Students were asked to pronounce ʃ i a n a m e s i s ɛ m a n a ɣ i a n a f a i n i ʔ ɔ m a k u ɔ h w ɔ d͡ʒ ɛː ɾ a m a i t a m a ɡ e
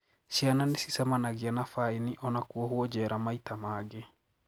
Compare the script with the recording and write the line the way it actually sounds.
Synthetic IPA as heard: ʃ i a n a n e s i s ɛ m a n a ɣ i a n a f a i n i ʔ ɔ n a k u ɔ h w ɔ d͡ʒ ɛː ɾ a m a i t a m a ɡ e